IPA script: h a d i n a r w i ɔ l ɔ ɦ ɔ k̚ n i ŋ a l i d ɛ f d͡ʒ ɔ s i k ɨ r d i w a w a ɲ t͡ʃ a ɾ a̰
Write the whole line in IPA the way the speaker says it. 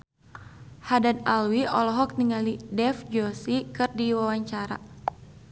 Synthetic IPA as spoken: h a d a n a l w i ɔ l ɔ ɦ ɔ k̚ n i ŋ a l i d ɛ f d͡ʒ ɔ s i k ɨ r d i w a w a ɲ t͡ʃ a ɾ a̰